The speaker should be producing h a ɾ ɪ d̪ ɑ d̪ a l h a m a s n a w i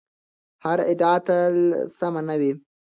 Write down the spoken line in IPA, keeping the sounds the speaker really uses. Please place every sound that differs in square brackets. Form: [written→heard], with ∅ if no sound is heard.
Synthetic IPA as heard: h a ɾ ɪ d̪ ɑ [d̪→t̪] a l [h→s] a m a [s→∅] n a w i